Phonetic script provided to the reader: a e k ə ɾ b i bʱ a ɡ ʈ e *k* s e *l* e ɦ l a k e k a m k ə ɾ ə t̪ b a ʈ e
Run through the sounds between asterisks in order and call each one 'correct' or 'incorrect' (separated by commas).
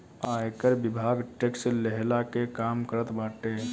correct, correct